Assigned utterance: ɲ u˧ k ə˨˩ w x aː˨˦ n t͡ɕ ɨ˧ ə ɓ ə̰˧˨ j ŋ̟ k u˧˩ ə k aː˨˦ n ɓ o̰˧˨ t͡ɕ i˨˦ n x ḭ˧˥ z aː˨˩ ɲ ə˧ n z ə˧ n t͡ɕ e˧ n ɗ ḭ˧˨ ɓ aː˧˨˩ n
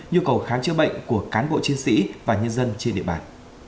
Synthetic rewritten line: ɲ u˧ k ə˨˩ w x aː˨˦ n t͡ɕ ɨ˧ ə ɓ ə̰˧˨ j ŋ̟ k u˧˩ ə k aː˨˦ n ɓ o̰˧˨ t͡ɕ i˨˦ n s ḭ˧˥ v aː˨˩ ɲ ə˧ n z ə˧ n t͡ɕ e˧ n ɗ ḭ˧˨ ɓ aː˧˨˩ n